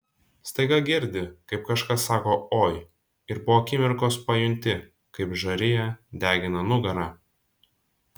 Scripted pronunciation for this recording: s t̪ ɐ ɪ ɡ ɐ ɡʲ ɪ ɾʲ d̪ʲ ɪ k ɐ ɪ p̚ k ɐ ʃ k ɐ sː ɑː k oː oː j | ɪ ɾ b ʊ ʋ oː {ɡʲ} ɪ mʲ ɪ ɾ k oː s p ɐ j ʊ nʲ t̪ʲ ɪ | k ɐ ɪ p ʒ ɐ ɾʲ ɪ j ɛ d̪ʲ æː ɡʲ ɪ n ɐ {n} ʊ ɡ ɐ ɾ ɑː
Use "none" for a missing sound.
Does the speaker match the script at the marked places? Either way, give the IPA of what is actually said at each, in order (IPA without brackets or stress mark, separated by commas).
kʲ, n